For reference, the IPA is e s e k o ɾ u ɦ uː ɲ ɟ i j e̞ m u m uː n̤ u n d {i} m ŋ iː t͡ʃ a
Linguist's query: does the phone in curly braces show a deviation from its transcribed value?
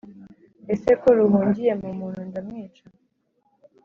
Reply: yes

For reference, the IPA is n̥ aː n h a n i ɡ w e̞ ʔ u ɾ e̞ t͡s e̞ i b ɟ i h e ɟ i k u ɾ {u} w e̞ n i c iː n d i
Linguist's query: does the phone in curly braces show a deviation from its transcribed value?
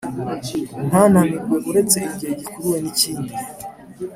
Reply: no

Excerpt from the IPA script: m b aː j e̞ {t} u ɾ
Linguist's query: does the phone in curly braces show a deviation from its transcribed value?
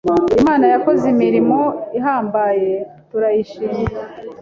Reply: no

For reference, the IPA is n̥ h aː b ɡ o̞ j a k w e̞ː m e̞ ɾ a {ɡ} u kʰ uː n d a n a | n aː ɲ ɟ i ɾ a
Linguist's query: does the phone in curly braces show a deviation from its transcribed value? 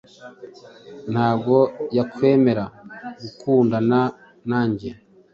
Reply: no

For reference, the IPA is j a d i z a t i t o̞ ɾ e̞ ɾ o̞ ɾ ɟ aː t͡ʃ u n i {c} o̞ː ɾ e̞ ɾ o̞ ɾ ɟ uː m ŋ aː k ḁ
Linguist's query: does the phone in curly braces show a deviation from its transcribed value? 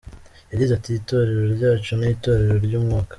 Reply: yes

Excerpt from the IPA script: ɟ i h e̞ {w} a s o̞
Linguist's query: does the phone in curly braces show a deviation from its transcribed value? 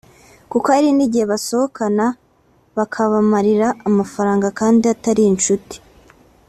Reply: yes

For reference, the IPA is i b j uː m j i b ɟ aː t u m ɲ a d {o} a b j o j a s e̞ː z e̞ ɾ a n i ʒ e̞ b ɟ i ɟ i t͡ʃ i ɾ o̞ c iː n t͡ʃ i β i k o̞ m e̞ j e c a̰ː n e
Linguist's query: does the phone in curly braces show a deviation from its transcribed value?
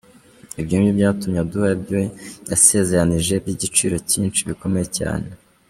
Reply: yes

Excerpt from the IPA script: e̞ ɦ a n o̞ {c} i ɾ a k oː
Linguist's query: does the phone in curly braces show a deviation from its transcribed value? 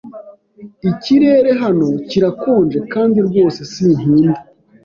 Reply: no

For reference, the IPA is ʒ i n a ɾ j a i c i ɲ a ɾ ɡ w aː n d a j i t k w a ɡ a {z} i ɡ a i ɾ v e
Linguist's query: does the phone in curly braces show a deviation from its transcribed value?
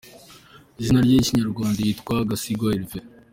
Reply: yes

